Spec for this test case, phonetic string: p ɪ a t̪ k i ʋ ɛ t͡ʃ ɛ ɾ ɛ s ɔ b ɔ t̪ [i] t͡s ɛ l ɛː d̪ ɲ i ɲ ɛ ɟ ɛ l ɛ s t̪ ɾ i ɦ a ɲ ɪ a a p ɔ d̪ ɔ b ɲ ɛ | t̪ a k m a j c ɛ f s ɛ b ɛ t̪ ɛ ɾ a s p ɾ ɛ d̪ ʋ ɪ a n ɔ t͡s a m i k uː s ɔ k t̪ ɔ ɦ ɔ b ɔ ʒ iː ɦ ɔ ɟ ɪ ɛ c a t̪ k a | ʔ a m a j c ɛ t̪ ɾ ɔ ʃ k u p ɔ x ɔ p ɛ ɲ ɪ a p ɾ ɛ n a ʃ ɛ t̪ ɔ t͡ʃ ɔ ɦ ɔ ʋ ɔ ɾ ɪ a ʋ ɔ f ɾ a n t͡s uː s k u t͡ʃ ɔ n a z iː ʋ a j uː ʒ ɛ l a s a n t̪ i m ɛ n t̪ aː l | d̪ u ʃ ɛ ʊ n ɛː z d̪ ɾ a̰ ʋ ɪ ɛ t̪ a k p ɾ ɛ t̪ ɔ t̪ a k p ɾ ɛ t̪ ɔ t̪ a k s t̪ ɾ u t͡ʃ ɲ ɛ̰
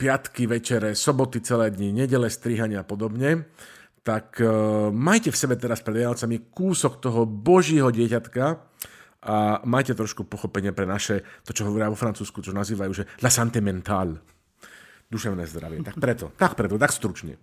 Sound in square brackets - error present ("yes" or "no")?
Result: no